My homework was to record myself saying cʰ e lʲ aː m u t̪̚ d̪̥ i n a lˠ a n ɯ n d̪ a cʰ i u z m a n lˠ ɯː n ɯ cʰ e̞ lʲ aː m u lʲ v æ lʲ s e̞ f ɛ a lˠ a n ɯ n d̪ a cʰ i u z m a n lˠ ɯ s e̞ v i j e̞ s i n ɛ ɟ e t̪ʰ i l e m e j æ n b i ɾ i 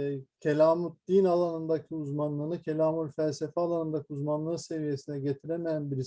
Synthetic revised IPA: cʰ e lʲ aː m u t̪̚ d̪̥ i n a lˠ a n ɯ n d̪ a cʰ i u z m a n lˠ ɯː n ɯ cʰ e̞ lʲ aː m u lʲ f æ lʲ s e̞ f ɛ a lˠ a n ɯ n d̪ a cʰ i u z m a n lˠ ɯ s e̞ v i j e̞ s i n ɛ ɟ e t̪ʰ i ɾ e m e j æ n b i ɾ i